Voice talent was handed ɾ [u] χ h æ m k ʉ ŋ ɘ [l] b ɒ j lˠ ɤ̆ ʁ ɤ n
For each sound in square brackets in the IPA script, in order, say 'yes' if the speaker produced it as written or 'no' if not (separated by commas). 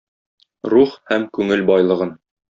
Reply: yes, yes